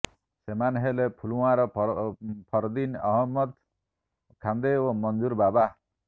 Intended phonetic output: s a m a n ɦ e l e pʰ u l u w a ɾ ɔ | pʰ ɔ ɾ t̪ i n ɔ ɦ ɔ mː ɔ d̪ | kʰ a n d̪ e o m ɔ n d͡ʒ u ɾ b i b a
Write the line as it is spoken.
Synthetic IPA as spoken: s e m a n ɦ e l e pʰ u l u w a ɾ ɔ | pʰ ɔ ɾ d̪ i n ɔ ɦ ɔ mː ɔ d̪ | kʰ a n d̪ e o m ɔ n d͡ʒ u ɾ b a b a